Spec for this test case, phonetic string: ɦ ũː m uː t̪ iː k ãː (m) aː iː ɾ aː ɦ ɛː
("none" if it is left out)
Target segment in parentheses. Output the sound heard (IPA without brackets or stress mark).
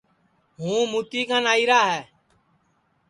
n